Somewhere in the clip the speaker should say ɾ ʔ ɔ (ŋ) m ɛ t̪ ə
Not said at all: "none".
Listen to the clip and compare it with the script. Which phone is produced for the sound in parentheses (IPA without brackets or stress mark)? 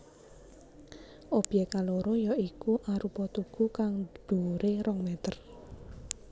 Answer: ŋ